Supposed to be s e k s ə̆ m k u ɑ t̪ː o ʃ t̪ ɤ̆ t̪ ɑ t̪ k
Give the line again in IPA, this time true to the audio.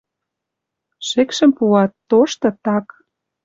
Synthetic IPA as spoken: ʃ e k ʃ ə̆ m p u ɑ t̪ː o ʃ t̪ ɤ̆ t̪ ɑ k

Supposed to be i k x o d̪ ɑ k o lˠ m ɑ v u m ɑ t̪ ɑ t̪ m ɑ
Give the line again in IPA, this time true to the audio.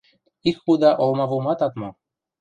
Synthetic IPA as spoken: i k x u d̪ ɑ ʔ o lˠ m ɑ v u m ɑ t̪ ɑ t̪ m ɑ

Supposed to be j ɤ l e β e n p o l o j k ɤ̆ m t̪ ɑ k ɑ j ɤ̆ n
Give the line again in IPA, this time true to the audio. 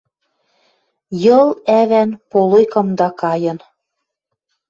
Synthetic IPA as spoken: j ɤ l æ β æ n p o l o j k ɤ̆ m d̪ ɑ k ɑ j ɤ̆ n

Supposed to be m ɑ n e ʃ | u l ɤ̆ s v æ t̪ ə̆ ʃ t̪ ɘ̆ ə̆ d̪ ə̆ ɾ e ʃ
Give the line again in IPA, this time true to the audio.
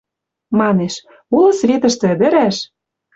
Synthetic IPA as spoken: m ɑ n e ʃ | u l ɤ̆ s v e t̪ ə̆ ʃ t̪ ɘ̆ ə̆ d̪ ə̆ ɾ æ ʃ

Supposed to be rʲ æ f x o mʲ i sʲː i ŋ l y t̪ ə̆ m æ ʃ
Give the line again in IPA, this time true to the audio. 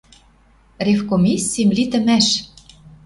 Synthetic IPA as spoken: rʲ e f k o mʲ i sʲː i m l i t̪ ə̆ m æ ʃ

